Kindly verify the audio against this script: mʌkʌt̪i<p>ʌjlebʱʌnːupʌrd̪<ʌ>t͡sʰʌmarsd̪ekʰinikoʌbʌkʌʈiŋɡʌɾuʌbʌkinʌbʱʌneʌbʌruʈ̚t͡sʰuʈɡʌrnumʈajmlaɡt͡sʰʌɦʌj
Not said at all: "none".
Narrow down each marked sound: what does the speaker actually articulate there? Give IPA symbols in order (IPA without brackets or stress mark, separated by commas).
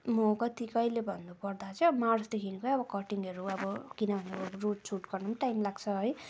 k, a